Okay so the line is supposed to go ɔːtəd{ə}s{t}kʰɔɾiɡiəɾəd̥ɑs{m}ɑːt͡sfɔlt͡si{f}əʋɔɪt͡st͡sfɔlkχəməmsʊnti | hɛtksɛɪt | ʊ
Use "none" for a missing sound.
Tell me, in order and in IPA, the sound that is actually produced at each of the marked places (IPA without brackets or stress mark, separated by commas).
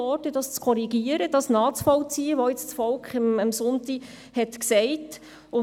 ɑ, t͡s, n, none